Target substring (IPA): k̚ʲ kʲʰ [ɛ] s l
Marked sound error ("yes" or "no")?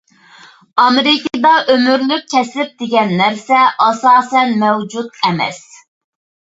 no